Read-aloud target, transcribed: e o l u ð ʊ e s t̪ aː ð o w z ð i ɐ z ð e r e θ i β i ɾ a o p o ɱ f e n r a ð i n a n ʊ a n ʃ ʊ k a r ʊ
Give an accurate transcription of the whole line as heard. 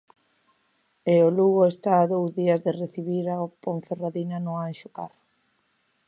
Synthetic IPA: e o l u ɣ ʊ e s t̪ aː ð o w z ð i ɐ z ð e r e θ i β i ɾ a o p o ɱ f e r a ð i n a n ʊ a n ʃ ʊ k a r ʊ